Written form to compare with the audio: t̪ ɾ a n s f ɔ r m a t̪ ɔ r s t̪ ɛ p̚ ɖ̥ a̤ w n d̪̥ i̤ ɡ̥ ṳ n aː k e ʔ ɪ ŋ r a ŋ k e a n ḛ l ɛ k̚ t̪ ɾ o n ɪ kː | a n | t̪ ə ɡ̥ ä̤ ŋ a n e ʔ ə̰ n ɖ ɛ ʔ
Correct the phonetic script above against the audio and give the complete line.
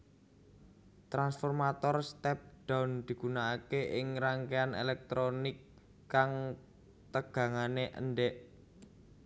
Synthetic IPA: t̪ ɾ a n s f ɔ r m a t̪ ɔ r s t̪ ɛ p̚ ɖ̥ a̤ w n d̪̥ i̤ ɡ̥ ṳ n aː k e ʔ ɪ ŋ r a ŋ k e a n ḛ l ɛ k̚ t̪ ɾ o n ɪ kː | a ŋ | t̪ ə ɡ̥ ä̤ ŋ a n e ʔ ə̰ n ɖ ɛ ʔ